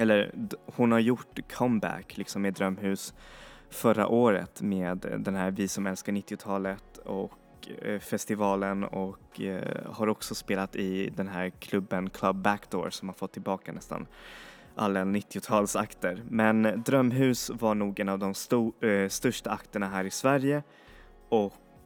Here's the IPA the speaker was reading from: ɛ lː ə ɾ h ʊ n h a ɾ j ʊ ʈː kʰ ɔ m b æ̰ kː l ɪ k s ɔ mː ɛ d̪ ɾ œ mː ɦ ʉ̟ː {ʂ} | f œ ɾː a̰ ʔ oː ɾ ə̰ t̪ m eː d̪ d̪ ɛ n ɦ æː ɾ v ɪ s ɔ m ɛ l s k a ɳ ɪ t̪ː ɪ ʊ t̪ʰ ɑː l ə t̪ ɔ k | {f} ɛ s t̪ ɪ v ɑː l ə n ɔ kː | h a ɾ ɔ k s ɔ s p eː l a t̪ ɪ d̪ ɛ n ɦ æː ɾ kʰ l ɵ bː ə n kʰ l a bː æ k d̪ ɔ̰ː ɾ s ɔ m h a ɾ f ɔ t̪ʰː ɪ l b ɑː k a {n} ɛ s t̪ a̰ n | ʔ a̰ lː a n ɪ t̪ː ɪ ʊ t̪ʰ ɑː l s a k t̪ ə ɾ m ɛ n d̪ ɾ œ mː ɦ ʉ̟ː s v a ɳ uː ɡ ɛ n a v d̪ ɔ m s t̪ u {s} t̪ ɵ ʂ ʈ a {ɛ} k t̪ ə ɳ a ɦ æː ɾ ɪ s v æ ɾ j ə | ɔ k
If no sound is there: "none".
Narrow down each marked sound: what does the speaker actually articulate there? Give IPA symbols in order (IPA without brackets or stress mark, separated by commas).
s, f, n, s, a